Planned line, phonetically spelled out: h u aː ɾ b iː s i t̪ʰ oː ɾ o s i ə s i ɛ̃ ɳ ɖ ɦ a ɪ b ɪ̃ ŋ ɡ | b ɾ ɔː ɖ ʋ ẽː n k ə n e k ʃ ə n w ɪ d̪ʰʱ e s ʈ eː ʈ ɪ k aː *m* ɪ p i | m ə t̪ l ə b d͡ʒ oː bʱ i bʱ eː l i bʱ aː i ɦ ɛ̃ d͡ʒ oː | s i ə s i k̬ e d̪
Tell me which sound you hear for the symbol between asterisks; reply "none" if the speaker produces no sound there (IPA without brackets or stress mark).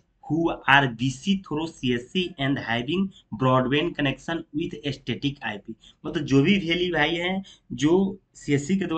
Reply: none